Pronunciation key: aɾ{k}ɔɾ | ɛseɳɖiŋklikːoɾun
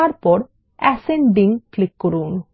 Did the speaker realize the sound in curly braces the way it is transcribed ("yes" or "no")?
no